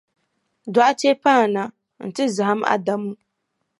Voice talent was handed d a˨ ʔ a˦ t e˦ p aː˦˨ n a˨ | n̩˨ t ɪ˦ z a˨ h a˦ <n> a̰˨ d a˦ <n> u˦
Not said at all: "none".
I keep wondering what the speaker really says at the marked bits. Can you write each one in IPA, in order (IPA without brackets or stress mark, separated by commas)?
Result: m, m